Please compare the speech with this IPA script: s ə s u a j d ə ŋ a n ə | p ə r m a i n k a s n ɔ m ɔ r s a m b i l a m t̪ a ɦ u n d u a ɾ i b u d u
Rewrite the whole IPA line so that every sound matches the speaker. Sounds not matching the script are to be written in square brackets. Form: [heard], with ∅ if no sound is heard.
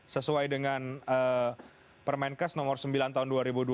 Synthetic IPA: s ə s u a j d ə ŋ a n ə | p ə r m a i n k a s n ɔ m ɔ r s [ə] m b i l a [n] t̪ a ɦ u n d u a ɾ i b u d u